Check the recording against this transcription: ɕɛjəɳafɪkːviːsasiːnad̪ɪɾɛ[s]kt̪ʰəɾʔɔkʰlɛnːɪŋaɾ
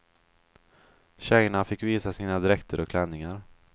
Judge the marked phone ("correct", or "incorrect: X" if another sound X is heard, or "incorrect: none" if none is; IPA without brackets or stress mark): incorrect: none